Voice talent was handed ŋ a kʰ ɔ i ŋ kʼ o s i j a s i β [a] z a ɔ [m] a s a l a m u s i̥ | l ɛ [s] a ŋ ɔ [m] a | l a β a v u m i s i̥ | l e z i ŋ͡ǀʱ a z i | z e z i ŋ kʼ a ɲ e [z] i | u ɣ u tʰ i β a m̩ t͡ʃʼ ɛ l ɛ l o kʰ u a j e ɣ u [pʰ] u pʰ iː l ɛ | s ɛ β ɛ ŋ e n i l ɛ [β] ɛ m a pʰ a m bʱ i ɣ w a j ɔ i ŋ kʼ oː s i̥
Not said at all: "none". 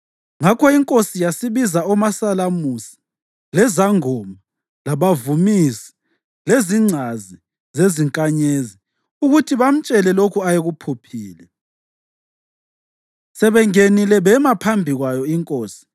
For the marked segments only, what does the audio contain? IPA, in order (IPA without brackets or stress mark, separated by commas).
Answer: i, m, z, m, z, pʰ, β